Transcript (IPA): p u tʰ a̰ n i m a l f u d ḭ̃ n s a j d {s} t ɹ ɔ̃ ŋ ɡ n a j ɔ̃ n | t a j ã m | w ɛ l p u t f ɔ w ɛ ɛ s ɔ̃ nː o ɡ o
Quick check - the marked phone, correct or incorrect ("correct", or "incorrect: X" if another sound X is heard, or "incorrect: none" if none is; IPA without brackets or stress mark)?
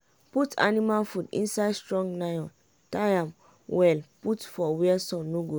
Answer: correct